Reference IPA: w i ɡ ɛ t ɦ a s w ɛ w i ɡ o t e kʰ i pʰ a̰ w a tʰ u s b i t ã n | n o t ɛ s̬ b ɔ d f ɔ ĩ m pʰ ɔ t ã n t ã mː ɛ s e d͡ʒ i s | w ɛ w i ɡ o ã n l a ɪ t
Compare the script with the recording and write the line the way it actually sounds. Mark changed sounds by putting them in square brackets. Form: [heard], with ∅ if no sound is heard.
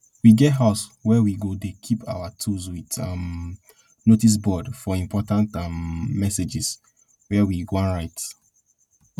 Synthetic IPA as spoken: w i ɡ ɛ t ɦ a s w ɛ w i ɡ o [d] e kʰ i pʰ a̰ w a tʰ u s [w] i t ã [m] | n o t [i] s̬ b ɔ d f ɔ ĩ m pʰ ɔ t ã n t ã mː ɛ s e d͡ʒ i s | w ɛ w i ɡ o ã n [ɹ] a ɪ t

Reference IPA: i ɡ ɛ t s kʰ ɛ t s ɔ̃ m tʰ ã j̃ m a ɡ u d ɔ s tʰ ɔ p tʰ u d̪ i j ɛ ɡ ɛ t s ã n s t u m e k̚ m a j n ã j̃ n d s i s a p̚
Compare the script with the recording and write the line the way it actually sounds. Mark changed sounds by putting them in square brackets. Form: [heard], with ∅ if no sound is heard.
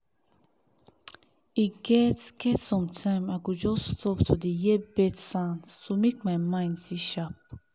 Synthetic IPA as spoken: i ɡ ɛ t s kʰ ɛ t s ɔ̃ m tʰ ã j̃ m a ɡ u [d͡ʒ] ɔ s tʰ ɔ p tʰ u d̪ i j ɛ [b] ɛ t s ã n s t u m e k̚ m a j [m] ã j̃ n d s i [ʃ] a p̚

